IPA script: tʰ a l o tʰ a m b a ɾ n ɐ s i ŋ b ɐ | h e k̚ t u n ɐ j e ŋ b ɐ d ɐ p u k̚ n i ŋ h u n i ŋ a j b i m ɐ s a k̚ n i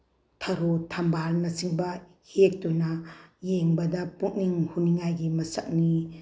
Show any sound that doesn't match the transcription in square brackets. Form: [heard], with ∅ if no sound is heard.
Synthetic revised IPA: tʰ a [ɾ] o tʰ a m b a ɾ n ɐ s i ŋ b ɐ | h e k̚ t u n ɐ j e ŋ b ɐ d ɐ p u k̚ n i ŋ h u n i ŋ a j [ɡ] i m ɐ s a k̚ n i